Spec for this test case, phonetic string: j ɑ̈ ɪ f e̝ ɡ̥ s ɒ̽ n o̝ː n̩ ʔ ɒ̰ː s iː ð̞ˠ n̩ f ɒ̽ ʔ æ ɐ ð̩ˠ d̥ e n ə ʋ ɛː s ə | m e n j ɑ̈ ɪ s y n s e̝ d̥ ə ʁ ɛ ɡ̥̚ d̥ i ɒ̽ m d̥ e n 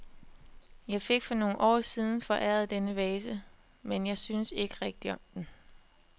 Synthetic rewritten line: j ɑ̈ ɪ f e̝ ɡ̥ f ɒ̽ n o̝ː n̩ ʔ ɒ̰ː s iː ð̞ˠ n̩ f ɒ̽ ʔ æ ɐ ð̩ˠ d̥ e n ə ʋ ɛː s ə | m e n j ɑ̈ ɪ s y n s e̝ ɡ̥ ə ʁ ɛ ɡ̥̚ d̥ i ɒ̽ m d̥ e n